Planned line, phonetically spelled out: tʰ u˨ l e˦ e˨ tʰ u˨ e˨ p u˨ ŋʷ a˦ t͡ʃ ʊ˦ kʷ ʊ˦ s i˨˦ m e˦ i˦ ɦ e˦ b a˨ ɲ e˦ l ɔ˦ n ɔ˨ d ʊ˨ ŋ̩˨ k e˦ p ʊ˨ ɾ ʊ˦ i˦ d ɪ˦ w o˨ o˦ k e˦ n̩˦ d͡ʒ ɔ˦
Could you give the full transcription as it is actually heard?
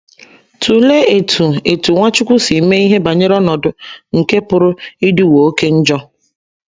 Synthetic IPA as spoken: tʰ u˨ l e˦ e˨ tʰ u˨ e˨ t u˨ ŋʷ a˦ t͡ʃ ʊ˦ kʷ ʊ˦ s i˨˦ m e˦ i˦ ɦ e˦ b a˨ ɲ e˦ ɾ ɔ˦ n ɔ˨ d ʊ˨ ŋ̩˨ k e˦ p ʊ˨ ɾ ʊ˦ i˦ d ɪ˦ w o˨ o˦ k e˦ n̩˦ d͡ʒ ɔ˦